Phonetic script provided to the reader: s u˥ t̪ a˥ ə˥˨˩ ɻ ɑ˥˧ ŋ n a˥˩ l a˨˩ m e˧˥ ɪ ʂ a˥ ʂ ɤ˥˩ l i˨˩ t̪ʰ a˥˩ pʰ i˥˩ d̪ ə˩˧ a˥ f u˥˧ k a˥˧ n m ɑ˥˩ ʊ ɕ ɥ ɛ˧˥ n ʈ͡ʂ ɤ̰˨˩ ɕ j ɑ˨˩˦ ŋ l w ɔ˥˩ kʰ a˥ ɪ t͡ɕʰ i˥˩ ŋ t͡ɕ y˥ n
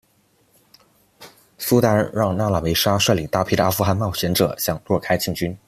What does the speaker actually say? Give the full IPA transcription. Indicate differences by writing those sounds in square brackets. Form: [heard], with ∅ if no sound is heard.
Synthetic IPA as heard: s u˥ t̪ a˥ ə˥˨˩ ɻ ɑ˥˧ ŋ n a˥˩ l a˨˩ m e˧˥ ɪ ʂ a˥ ʂ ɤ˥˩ l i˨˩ [t̪] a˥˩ pʰ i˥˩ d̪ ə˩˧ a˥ f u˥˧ [x] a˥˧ n m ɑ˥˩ ʊ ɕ ɥ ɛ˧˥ n ʈ͡ʂ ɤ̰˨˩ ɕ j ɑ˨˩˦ ŋ l w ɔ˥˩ kʰ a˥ ɪ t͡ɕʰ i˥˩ ŋ t͡ɕ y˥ n